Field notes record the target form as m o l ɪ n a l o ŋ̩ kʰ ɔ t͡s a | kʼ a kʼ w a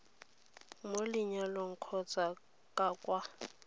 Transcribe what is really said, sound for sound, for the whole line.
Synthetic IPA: m o l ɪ ɲ a l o ŋ̩ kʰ ɔ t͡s a | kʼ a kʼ w a